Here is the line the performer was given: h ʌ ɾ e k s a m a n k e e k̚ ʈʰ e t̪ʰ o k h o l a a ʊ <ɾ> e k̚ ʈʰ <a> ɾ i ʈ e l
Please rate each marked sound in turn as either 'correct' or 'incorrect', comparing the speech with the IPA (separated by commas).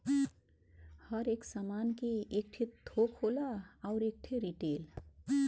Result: correct, incorrect